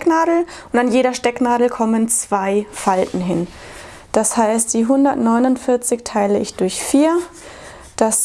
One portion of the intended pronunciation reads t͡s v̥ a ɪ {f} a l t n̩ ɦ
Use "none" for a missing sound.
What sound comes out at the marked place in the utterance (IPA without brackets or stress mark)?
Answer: f